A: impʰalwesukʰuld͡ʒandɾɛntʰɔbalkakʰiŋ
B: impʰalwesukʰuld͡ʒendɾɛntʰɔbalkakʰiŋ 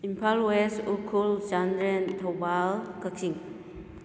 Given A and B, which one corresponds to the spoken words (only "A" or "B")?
A